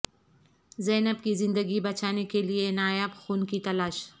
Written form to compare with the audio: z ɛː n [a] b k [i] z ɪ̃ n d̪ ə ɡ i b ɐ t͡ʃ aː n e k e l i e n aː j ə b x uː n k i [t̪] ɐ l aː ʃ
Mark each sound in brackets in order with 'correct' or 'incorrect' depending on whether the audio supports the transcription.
incorrect, correct, correct

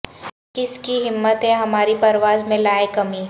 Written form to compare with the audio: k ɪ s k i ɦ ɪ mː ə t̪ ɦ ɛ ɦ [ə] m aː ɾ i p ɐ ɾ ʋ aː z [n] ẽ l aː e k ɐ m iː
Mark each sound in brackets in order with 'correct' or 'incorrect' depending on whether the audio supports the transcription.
incorrect, incorrect

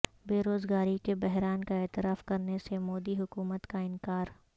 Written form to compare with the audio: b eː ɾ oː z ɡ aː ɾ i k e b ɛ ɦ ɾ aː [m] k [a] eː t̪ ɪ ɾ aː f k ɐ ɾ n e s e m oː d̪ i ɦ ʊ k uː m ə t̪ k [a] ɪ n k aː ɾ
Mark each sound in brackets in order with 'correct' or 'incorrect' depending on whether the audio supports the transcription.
incorrect, correct, correct

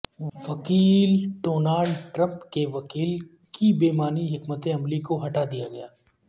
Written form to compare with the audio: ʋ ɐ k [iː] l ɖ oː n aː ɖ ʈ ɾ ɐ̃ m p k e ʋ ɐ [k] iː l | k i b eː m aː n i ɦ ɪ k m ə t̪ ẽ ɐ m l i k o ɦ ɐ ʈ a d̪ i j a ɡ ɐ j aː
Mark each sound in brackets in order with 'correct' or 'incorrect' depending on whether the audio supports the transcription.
correct, correct

